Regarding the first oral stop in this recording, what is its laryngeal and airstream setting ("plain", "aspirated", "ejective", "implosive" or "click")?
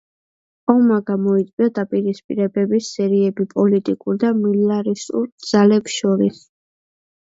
plain